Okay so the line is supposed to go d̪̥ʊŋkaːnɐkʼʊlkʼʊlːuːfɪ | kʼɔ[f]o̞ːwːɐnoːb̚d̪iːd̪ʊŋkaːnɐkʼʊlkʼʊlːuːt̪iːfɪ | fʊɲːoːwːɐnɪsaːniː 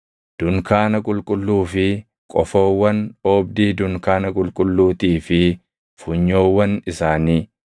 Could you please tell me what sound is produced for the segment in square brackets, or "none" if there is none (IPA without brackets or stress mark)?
f